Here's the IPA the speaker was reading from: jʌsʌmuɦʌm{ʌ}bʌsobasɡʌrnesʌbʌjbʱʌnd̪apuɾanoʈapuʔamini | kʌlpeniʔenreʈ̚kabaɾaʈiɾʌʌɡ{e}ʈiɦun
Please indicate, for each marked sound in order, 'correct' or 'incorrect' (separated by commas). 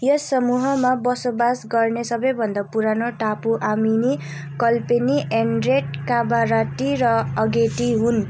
incorrect, correct